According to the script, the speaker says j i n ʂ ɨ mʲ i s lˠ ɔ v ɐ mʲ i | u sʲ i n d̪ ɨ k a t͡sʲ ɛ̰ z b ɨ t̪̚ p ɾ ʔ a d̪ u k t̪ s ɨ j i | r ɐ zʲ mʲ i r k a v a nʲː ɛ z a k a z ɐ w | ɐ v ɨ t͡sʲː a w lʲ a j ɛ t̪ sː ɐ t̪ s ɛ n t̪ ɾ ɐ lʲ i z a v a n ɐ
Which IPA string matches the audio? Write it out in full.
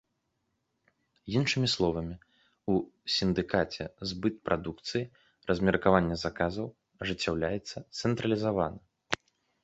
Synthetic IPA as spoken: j i n ʂ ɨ mʲ i s lˠ ɔ v ɐ mʲ i | u sʲ i n d̪ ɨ k a t͡sʲ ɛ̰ z b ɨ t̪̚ p ɾ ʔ a d̪ u k t̪ s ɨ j i | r ɐ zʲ mʲ ɛ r k a v a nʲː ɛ z a k a z ɐ w | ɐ ʐ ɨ t͡sʲː a w lʲ a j ɛ t̪ sː ɐ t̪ s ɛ n t̪ ɾ ɐ lʲ i z a v a n ɐ